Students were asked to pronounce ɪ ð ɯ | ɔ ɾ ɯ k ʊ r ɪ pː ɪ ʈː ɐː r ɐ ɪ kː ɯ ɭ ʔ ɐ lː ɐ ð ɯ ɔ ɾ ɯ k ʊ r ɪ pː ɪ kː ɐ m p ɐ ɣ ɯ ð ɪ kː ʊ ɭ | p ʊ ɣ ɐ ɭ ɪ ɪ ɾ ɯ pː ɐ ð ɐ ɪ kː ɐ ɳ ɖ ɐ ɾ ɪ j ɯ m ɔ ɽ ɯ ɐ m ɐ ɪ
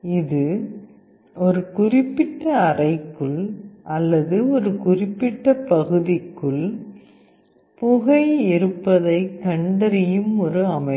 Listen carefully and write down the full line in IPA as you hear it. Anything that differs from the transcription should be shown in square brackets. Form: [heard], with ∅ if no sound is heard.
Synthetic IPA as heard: ɪ ð ɯ | ɔ ɾ ɯ k ʊ r ɪ pː ɪ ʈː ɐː r ɐ ɪ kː ɯ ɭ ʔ ɐ lː ɐ ð ɯ ɔ ɾ ɯ k ʊ r ɪ pː ɪ [ʈː] ɐ [∅] p ɐ ɣ ɯ ð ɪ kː [ɯ] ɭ | p ʊ ɣ ɐ [∅] ɪ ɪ ɾ ɯ pː ɐ ð ɐ ɪ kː ɐ ɳ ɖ ɐ ɾ ɪ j ɯ m ɔ [ɾ] ɯ ɐ m ɐ ɪ